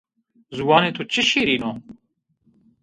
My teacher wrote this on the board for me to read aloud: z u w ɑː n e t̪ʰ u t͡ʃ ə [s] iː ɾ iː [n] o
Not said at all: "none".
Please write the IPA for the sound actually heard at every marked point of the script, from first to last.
ʃ, n

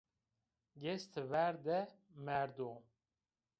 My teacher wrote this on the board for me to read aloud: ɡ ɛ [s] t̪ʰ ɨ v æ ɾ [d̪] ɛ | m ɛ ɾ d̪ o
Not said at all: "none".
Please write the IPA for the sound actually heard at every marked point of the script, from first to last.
s, d̪

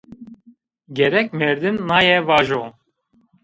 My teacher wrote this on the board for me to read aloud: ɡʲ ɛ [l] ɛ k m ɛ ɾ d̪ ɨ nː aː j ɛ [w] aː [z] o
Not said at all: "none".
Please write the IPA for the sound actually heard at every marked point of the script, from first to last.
ɾ, v, ʒ

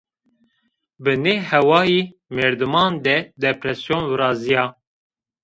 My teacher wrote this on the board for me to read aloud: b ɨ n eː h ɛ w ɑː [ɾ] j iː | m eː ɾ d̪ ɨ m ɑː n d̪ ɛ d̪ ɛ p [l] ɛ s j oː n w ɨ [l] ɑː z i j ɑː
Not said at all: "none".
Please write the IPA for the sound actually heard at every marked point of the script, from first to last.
none, ɾ, ɾ

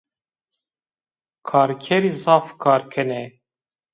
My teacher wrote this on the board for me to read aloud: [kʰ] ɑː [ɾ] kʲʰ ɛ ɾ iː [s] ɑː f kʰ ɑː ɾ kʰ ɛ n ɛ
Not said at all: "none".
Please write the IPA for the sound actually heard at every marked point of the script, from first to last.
kʰ, ɾ, z

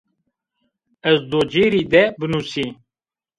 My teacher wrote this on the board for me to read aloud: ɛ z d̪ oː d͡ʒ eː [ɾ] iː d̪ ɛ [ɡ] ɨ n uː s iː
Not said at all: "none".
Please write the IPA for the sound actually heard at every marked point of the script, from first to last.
ɾ, b

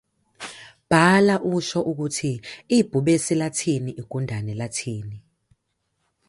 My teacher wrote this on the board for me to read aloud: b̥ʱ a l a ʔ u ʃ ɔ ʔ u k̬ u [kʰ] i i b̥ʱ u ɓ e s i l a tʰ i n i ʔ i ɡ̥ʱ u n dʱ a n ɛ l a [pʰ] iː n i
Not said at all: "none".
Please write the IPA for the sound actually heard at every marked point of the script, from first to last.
tʰ, tʰ

